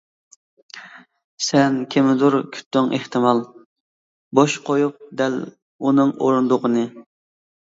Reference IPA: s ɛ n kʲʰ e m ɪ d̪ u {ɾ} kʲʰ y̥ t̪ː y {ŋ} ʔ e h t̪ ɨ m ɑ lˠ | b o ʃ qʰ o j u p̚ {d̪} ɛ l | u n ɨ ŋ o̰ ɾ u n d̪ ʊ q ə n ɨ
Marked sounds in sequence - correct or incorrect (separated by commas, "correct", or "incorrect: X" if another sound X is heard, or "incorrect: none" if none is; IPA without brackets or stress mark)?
correct, correct, correct